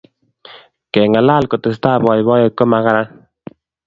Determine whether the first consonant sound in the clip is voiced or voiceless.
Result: voiceless